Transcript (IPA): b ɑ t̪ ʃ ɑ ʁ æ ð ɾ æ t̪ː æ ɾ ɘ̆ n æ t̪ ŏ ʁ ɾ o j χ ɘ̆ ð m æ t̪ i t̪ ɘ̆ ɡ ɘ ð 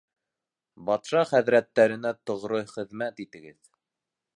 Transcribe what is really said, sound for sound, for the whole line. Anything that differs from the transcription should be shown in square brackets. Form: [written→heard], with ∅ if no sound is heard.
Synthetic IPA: b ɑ t̪ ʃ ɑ [ʁ→χ] æ ð ɾ æ t̪ː æ ɾ ɘ̆ n æ t̪ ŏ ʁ ɾ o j χ ɘ̆ ð m æ t̪ i t̪ ɘ̆ ɡ ɘ ð